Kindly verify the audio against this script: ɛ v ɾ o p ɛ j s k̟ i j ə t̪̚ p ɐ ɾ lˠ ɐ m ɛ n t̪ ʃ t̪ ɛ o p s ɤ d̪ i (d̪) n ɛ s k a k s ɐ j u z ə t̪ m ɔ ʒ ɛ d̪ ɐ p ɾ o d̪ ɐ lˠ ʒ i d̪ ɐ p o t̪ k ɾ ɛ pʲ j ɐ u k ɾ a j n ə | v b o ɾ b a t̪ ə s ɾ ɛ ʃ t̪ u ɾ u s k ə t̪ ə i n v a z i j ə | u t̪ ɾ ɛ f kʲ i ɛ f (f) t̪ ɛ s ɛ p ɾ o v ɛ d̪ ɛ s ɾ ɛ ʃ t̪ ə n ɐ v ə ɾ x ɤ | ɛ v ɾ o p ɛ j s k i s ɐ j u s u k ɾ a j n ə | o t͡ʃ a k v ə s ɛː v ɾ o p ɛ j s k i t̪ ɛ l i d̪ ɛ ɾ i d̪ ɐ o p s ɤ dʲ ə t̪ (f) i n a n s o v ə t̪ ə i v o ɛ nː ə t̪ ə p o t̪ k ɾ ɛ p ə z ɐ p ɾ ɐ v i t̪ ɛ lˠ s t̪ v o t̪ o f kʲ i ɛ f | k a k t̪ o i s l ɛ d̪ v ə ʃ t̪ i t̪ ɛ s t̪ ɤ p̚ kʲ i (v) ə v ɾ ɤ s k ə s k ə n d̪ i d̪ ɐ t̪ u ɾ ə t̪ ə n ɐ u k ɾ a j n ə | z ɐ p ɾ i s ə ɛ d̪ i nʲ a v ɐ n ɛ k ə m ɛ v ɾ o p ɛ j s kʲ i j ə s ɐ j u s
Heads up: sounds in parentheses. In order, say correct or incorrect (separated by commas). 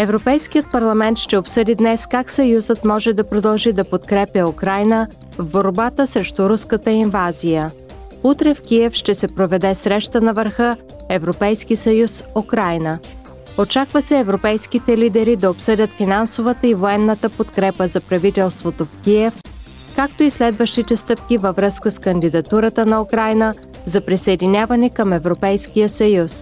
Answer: correct, incorrect, correct, correct